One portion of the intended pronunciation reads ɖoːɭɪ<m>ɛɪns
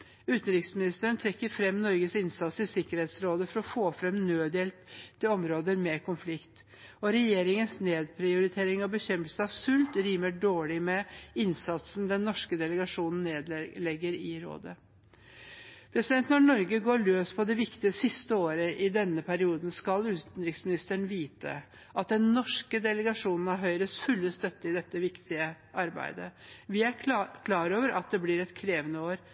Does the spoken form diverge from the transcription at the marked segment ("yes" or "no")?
no